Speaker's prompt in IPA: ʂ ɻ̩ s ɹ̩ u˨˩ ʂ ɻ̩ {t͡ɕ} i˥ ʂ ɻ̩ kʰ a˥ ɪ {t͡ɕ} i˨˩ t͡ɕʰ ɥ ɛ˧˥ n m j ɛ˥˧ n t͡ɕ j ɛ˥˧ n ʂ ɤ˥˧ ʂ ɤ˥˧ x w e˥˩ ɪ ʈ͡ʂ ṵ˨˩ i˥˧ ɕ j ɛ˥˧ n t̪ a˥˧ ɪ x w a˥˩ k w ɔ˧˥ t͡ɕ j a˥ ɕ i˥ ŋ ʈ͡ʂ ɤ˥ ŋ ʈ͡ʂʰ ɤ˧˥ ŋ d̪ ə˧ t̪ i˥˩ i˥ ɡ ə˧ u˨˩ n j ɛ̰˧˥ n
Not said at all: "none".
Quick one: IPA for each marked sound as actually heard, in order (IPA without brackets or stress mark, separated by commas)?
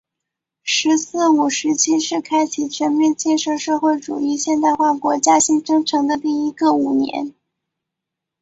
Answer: t͡ɕʰ, t͡ɕʰ